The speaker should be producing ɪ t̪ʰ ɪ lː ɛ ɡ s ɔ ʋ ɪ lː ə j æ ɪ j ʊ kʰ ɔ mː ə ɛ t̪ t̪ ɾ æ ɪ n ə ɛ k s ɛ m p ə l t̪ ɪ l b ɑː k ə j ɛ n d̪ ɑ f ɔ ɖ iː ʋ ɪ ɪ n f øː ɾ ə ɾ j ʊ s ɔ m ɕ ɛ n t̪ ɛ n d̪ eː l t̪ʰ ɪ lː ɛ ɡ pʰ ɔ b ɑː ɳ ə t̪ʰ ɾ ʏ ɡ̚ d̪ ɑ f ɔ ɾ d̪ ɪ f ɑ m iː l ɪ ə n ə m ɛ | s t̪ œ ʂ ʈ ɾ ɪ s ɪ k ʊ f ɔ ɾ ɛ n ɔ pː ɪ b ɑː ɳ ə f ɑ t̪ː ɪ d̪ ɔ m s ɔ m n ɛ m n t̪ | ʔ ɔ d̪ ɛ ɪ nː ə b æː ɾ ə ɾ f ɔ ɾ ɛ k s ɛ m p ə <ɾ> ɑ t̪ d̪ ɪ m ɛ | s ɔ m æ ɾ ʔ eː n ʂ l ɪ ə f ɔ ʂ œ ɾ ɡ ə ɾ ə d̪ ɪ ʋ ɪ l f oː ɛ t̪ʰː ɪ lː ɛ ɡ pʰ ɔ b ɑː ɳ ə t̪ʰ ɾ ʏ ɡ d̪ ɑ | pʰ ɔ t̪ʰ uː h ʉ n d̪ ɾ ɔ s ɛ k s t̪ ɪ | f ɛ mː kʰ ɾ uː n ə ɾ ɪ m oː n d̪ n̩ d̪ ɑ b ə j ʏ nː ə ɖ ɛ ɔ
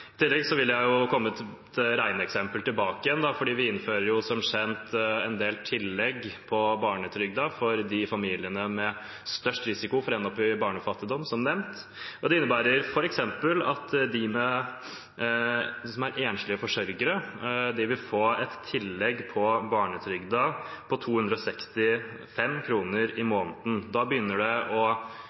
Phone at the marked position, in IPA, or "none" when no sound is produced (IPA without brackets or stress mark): l